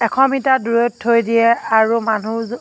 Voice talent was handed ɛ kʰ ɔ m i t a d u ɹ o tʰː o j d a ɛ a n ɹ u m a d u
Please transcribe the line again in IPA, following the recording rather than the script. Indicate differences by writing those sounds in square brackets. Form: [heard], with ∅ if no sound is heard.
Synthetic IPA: ɛ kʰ ɔ m i t a d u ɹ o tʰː o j d [i] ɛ a [∅] ɹ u m a [n] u